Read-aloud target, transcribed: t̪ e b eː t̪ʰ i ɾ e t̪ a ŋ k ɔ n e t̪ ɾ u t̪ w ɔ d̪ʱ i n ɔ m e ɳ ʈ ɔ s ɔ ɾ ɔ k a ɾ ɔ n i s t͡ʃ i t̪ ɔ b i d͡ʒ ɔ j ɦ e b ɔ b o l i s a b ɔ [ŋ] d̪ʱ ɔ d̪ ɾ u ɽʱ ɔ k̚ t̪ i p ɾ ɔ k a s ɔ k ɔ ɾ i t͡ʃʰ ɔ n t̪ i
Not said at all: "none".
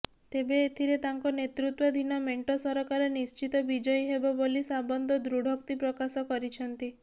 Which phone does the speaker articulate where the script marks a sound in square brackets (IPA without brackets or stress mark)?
n